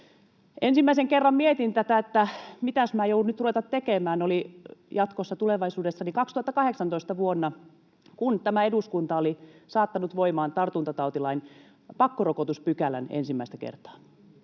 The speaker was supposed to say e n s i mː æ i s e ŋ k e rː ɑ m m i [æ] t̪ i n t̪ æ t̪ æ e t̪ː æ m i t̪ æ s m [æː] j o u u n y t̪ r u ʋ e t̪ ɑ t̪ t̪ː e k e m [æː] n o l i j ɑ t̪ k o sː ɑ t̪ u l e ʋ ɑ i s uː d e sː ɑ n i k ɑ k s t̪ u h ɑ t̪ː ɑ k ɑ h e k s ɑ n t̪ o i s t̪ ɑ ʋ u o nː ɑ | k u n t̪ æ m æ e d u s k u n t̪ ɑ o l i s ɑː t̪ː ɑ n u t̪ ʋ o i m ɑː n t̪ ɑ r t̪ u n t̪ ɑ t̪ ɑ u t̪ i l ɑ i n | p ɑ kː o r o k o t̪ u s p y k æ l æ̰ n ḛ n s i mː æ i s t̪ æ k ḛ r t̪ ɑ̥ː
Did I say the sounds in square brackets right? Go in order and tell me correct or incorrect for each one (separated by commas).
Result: incorrect, correct, correct